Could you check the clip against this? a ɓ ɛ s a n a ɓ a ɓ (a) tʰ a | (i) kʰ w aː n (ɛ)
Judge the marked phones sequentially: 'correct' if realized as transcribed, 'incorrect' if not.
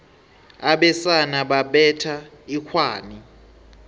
incorrect: ɛ, correct, incorrect: i

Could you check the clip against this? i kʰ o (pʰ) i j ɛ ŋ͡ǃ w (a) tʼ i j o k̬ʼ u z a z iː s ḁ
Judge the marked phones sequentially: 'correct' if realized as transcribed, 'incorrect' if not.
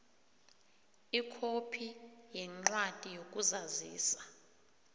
correct, correct

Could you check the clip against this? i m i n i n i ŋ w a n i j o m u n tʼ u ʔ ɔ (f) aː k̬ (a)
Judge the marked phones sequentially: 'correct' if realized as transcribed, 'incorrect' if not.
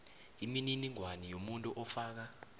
correct, correct

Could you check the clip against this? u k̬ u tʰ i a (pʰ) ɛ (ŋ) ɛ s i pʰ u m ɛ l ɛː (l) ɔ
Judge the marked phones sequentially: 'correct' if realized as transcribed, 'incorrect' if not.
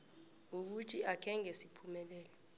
incorrect: kʰ, correct, correct

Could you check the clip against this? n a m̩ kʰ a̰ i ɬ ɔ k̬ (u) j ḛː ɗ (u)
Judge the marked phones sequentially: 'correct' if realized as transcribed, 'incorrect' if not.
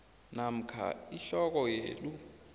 incorrect: ɔ, correct

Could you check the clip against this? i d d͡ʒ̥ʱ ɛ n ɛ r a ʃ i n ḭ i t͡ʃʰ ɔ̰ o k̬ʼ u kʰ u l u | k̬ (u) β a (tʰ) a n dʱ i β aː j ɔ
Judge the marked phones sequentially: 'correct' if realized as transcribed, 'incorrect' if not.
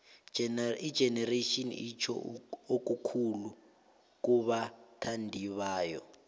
correct, correct

